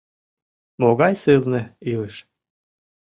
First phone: m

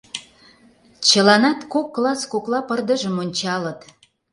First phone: t͡ɕ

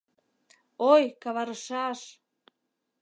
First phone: o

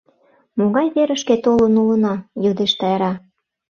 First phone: m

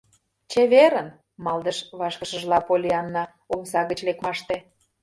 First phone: t͡ɕ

